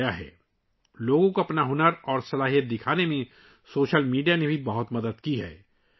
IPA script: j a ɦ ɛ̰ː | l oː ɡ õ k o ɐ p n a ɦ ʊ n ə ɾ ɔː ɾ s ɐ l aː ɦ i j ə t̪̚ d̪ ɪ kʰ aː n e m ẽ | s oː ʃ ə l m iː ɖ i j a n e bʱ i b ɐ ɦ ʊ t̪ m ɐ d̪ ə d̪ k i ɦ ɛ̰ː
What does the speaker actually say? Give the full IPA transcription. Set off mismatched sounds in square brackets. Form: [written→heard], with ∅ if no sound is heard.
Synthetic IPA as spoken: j a ɦ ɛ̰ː | l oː ɡ õ k o ɐ p n a ɦ ʊ n ə ɾ ɔː ɾ s ɐ l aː ɦ i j ə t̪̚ d̪ ɪ kʰ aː n e m ẽ | s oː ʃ ə l m iː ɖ i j a n e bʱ i b ɐ ɦ ʊ t̪ m ɐ d̪ ə d̪ k i ɦ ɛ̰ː